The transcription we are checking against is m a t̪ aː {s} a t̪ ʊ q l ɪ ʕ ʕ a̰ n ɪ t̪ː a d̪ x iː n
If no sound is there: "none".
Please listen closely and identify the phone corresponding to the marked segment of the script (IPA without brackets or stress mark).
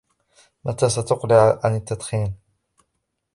s